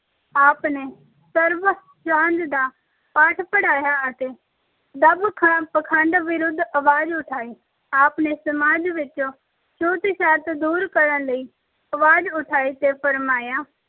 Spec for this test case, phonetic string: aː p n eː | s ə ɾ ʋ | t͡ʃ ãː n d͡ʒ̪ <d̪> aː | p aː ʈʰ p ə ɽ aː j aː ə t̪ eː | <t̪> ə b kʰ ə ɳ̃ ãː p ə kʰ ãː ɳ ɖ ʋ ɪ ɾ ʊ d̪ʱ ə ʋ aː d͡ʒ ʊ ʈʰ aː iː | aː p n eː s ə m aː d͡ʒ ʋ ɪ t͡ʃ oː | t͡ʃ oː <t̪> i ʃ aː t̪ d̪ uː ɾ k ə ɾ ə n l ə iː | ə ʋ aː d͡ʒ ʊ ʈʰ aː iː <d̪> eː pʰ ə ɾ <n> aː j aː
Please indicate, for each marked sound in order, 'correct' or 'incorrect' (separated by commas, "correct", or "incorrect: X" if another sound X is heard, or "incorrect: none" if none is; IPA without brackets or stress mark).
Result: correct, incorrect: d̪, correct, incorrect: t̪, incorrect: m